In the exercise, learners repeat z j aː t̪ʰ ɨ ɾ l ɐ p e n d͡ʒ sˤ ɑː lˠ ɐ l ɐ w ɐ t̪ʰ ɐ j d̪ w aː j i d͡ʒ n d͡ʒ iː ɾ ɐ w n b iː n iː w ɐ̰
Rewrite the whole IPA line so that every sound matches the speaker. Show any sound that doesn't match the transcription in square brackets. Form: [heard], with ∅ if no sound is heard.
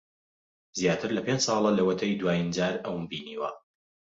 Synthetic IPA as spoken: z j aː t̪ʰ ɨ ɾ l ɐ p e n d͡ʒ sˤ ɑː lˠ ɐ l ɐ w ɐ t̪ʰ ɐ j d̪ w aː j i [∅] n d͡ʒ [aː] ɾ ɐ w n b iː n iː w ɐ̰